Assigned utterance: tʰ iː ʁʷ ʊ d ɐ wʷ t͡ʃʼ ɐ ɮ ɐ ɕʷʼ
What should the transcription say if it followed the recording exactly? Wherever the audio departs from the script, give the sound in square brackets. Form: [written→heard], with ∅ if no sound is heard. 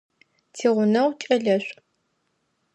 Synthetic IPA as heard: tʰ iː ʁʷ ʊ [d→n] ɐ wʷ t͡ʃʼ ɐ ɮ ɐ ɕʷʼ